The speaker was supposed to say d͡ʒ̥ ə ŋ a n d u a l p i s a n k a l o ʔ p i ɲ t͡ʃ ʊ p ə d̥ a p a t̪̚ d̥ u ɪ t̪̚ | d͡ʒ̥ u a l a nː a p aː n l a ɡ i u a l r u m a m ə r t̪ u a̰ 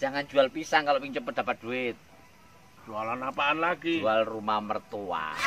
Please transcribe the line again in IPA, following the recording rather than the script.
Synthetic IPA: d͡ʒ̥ a ŋ a n d͡ʒ u a l p i s a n k a l o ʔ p i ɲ t͡ʃ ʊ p ə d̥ a p a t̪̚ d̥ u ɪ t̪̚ | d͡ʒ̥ u a l a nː a p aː n l a ɡ i u a l r u m a m ə r t̪ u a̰